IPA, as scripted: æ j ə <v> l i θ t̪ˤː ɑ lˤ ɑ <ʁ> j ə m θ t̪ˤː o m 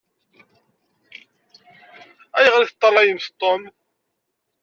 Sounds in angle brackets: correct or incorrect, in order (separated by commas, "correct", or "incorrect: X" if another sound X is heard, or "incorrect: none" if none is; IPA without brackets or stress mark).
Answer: incorrect: ʁ, incorrect: none